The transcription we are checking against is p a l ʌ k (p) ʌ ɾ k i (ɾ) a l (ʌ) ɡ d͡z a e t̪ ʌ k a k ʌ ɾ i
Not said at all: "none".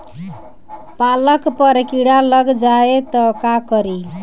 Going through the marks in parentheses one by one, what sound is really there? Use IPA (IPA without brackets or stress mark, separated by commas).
p, ɽ, ʌ